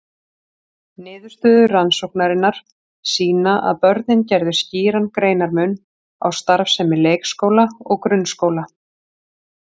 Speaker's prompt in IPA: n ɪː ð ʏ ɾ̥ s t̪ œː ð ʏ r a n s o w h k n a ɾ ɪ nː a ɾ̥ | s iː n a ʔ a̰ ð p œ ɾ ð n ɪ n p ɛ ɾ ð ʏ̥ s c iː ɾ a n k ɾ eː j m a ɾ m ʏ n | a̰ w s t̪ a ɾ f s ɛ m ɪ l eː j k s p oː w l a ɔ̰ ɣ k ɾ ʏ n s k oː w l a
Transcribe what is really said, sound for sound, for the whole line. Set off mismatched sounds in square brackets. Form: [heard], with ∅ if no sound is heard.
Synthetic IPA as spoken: n ɪː ð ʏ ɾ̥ s t̪ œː ð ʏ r a n s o w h k n a ɾ ɪ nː a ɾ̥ | s iː n a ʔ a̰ ð p œ ɾ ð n ɪ n [c] ɛ ɾ ð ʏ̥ s c iː ɾ a n k ɾ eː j [n] a ɾ m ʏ n | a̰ w s t̪ a ɾ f s ɛ m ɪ l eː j k s [k] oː w l a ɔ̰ ɣ k ɾ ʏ n s k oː w l a